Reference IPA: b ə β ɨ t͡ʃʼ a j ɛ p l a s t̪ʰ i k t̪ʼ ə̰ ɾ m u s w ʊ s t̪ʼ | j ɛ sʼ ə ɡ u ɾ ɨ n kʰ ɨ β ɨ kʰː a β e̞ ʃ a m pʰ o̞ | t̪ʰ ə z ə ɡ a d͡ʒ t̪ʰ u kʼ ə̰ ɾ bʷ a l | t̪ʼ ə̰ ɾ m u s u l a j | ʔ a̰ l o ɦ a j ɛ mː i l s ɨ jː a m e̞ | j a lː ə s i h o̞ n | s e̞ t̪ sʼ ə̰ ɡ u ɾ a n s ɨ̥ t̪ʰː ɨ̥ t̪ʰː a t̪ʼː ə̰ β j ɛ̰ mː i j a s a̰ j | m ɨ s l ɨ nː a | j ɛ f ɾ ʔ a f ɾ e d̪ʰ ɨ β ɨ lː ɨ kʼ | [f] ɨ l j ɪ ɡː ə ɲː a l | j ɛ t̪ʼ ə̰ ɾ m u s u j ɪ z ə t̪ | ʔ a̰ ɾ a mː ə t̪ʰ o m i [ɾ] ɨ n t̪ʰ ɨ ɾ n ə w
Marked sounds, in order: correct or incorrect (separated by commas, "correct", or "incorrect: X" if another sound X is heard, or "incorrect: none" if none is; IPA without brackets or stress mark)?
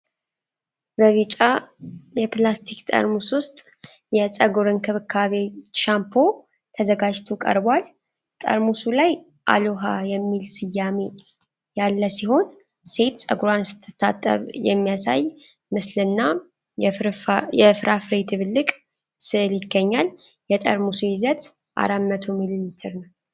incorrect: s, incorrect: l